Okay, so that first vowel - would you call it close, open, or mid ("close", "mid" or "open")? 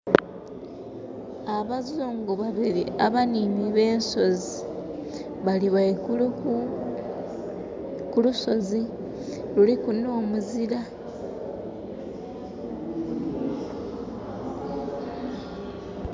open